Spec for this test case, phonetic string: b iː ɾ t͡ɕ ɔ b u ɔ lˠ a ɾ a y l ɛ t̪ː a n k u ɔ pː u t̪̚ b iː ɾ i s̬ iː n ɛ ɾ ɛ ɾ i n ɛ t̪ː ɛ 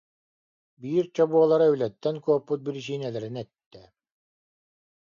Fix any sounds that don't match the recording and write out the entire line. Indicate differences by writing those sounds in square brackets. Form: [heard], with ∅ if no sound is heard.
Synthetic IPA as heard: b iː ɾ t͡ɕ ɔ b u ɔ lˠ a ɾ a y l ɛ t̪ː [ɛ] n k u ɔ pː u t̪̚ b [i] ɾ i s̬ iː n ɛ [l] ɛ ɾ i n ɛ t̪ː ɛ